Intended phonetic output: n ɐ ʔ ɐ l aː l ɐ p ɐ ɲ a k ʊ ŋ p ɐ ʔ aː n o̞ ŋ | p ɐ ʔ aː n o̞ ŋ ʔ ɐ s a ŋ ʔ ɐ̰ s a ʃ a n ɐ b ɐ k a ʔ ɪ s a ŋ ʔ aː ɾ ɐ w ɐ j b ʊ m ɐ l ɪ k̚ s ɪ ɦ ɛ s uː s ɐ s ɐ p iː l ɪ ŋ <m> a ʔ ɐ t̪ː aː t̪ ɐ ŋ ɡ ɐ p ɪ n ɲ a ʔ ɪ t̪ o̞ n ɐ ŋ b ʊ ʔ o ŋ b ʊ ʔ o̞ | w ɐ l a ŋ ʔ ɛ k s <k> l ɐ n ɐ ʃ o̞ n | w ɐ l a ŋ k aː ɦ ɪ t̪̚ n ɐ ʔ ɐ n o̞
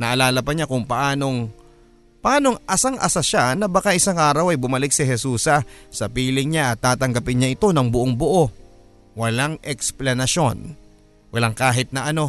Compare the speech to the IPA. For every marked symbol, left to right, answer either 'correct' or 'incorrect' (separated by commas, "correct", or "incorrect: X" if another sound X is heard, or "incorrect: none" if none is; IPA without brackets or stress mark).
incorrect: ɲ, incorrect: p